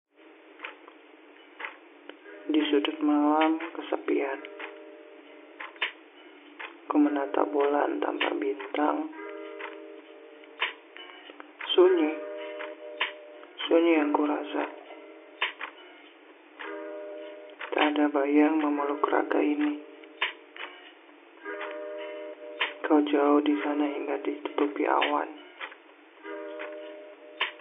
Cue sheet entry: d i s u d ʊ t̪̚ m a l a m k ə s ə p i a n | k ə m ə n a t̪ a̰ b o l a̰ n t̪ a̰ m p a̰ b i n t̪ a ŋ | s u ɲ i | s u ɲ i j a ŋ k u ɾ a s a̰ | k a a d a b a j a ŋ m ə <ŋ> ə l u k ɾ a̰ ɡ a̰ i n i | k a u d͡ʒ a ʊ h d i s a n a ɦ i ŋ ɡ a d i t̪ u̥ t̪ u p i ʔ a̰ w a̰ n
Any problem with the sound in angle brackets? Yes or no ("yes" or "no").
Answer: yes